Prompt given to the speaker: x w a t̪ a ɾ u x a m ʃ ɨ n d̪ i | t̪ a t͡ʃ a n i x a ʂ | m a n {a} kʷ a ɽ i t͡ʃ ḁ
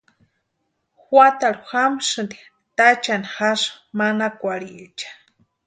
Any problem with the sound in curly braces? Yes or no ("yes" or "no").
no